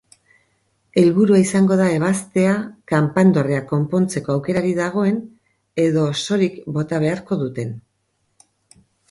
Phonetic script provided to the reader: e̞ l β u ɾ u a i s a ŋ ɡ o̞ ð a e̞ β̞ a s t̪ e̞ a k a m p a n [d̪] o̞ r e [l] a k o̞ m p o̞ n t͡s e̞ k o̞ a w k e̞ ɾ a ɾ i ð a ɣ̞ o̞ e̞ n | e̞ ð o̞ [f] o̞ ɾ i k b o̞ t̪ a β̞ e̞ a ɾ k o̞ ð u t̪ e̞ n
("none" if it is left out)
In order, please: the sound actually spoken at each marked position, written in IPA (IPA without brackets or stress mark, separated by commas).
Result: d̪, none, s